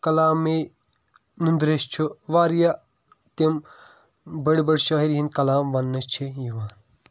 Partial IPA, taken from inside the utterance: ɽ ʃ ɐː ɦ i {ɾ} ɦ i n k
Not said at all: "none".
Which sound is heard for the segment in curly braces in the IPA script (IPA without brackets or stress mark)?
ɾ